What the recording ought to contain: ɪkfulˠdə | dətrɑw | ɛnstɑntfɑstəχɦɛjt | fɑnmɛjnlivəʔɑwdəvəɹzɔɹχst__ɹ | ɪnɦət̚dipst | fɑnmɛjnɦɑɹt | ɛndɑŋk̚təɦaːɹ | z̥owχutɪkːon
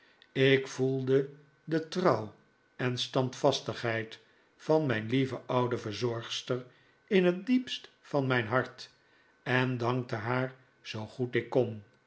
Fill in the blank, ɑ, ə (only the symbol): ə